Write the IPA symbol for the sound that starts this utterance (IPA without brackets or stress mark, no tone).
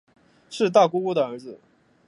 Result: ʂ